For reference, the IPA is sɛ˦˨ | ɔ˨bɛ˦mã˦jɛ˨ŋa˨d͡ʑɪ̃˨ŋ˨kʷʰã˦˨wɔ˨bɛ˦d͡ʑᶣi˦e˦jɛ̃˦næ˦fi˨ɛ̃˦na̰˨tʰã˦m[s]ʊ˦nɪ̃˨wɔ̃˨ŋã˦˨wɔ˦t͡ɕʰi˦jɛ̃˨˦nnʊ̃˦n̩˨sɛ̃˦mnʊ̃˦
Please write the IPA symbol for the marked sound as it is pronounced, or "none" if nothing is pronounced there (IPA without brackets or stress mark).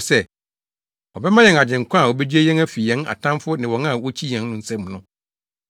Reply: f